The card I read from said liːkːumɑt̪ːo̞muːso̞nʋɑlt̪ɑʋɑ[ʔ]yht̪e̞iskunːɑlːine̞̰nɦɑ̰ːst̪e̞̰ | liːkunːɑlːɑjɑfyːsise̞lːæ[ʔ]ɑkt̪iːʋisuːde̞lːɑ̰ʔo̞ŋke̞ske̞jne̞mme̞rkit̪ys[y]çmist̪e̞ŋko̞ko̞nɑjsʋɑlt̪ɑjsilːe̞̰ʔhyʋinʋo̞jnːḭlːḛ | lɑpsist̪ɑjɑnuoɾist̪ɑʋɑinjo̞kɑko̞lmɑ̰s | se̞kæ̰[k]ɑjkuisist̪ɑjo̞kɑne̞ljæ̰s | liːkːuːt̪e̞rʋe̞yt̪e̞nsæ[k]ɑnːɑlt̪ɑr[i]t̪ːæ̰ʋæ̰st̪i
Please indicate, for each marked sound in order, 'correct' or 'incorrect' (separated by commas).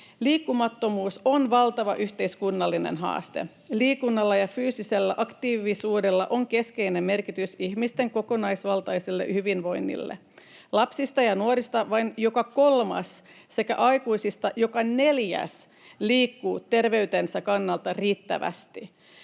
correct, correct, incorrect, incorrect, correct, incorrect